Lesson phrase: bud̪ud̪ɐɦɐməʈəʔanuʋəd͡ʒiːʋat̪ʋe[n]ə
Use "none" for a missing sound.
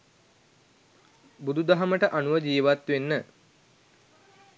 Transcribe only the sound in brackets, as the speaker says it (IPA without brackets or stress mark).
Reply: nː